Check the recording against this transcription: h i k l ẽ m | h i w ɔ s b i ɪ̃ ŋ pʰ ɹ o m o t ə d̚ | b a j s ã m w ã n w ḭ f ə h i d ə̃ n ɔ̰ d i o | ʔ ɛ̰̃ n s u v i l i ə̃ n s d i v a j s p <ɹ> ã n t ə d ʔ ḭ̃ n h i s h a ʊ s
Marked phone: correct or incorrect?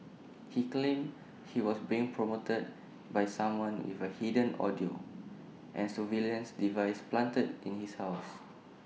incorrect: l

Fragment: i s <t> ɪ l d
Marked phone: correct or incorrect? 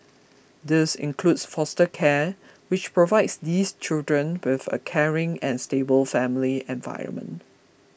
incorrect: t͡ʃ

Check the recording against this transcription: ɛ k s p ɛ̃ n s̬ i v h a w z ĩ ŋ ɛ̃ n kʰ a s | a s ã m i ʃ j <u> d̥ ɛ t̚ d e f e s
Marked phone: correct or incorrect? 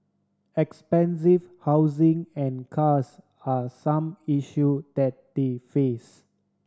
correct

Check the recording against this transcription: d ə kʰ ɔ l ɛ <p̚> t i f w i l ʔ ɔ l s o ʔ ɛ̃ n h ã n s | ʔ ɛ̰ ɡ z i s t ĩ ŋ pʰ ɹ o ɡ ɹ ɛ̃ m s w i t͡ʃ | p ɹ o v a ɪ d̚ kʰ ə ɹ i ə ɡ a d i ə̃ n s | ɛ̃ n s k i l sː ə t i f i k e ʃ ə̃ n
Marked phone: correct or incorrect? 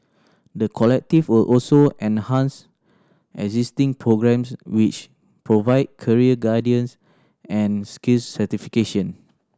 incorrect: k̚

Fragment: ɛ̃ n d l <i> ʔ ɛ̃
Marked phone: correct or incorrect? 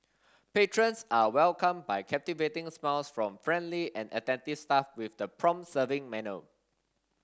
correct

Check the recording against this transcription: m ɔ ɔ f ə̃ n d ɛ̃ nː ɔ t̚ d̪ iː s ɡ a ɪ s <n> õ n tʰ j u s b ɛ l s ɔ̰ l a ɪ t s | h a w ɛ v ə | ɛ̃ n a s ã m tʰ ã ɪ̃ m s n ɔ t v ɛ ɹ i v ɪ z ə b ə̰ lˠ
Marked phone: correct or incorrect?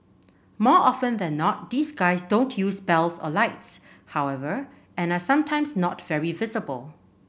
incorrect: d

